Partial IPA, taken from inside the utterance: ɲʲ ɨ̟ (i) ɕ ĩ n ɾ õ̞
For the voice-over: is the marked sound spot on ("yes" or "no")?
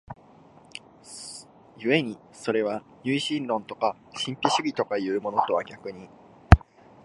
yes